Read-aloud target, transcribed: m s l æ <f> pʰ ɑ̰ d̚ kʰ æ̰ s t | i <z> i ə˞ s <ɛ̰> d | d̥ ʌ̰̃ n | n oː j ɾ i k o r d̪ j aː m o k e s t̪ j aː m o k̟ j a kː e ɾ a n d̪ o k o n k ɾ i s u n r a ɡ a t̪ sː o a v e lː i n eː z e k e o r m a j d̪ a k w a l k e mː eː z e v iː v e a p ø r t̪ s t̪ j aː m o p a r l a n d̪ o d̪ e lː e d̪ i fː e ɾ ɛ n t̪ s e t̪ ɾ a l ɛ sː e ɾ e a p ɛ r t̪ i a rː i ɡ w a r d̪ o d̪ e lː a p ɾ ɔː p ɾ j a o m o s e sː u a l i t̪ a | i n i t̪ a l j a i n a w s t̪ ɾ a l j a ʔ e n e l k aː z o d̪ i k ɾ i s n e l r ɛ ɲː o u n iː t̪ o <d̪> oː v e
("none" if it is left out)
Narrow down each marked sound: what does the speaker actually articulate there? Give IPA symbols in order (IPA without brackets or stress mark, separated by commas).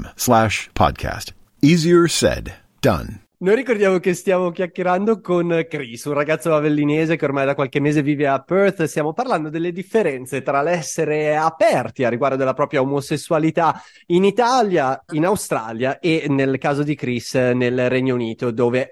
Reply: ʃ, z, ɛ̰, d̪